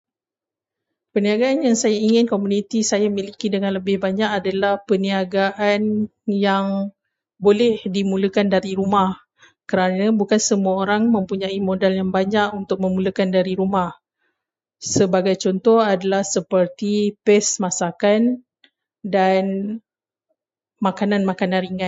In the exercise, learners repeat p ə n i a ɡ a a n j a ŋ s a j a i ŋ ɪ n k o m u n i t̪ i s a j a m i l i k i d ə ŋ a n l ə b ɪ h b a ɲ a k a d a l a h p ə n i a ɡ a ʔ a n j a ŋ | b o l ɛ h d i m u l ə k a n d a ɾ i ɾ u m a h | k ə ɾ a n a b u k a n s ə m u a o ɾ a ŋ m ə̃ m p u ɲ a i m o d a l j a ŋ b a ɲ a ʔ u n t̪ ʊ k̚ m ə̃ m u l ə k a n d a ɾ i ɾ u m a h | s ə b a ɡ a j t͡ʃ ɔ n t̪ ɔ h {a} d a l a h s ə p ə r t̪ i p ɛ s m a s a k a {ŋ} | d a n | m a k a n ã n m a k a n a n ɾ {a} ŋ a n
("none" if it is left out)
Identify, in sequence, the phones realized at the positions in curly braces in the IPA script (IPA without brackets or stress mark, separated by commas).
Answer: a, n, i